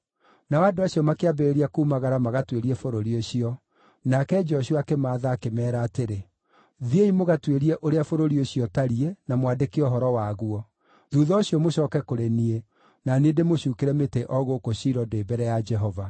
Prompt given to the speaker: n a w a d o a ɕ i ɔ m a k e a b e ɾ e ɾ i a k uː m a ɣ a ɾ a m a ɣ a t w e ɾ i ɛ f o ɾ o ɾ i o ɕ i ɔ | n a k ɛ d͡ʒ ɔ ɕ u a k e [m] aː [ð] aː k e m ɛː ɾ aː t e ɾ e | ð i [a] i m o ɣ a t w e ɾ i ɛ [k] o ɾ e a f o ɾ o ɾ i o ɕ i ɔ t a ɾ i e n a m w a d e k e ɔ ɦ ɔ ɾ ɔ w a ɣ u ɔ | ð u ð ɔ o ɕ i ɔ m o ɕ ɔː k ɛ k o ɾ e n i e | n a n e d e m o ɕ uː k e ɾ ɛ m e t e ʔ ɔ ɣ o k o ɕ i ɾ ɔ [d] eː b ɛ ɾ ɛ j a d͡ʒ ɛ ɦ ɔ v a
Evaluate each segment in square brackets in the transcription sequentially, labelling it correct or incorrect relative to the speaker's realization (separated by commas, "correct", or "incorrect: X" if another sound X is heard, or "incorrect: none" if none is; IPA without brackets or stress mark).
correct, correct, incorrect: e, incorrect: ʔ, correct